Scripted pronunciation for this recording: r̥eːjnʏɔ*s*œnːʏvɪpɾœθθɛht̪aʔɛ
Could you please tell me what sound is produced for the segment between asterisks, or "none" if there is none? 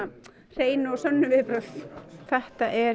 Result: s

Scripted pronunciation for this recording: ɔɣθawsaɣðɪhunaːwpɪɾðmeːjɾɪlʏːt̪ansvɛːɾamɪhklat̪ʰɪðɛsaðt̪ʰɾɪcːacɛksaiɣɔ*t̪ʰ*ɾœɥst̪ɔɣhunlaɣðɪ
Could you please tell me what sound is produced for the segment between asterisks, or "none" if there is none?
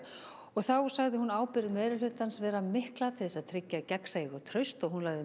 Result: t̪ʰ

